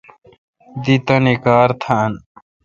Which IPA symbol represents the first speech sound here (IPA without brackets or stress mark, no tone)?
d̪